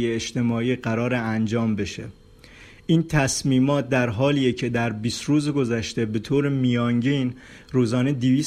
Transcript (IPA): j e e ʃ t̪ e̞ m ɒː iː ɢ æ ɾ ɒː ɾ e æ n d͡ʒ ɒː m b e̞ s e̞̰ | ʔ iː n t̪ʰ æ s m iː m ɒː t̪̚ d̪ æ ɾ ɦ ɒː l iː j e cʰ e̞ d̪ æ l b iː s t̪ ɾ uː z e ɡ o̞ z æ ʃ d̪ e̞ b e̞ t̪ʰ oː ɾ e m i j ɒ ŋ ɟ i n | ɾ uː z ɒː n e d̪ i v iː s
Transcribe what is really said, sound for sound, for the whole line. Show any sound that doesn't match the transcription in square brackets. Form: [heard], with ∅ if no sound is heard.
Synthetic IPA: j e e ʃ t̪ e̞ m ɒː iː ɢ æ ɾ ɒː ɾ e æ n d͡ʒ ɒː m b e̞ [ʃ] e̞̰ | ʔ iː n t̪ʰ æ s m iː m ɒː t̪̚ d̪ æ ɾ ɦ ɒː l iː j e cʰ e̞ d̪ æ [ɾ] b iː s t̪ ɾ uː z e ɡ o̞ z æ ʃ [t̪] e̞ b e̞ t̪ʰ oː ɾ e m i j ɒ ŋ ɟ i n | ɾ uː z ɒː n e d̪ i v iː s